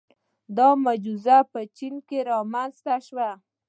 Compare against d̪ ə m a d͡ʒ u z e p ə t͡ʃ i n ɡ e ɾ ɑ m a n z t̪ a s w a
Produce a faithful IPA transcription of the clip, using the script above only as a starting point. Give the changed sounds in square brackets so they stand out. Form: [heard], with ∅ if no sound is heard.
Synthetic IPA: d̪ [ɑ] m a d͡ʒ u z [a] p ə t͡ʃ i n [k] e ɾ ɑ m a n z t̪ a [ʃ] w a